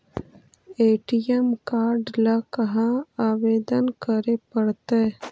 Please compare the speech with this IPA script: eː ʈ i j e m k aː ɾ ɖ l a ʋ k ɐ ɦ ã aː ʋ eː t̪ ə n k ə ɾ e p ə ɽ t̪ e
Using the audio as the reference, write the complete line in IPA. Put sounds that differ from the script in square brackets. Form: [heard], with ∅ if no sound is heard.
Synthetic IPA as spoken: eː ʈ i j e m k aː ɾ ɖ l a [∅] k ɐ ɦ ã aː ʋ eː [d̪] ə n k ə ɾ e p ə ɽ t̪ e